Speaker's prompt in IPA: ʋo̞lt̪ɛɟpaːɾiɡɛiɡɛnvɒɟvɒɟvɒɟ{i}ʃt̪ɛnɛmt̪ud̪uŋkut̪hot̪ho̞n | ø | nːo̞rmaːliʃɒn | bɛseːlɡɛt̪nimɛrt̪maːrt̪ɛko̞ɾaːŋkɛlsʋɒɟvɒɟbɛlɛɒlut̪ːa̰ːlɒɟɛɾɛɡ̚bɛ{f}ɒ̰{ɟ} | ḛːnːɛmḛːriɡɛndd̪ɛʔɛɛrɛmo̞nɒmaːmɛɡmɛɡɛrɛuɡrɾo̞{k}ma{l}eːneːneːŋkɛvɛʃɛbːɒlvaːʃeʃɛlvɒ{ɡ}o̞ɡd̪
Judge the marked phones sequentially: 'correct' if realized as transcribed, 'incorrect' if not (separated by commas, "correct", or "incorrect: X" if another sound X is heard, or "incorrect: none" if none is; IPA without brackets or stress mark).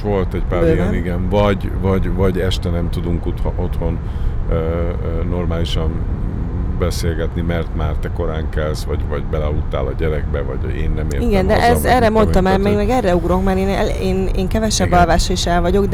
incorrect: ɛ, incorrect: v, correct, correct, incorrect: ɾ, incorrect: ɟ